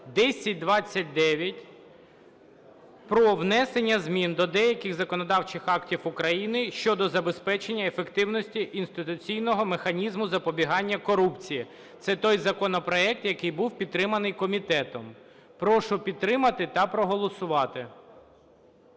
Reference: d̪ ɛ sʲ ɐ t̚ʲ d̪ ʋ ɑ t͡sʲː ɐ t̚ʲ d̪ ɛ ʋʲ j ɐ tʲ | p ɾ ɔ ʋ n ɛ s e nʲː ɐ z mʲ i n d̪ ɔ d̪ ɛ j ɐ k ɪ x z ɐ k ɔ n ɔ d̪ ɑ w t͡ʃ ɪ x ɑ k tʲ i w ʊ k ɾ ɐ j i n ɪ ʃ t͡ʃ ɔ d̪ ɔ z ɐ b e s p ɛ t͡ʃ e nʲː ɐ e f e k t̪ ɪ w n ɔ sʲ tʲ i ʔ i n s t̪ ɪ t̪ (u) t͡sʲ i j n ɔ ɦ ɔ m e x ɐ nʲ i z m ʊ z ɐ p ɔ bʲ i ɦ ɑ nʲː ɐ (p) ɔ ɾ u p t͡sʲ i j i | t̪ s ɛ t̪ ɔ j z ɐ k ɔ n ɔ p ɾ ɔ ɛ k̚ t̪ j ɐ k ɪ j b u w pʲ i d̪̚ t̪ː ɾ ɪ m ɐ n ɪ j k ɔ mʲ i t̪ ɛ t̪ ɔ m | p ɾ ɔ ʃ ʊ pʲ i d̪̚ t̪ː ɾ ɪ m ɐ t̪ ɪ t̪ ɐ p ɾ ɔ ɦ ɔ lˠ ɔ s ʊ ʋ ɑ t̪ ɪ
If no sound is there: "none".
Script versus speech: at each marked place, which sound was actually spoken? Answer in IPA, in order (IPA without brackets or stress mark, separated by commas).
ʊ, k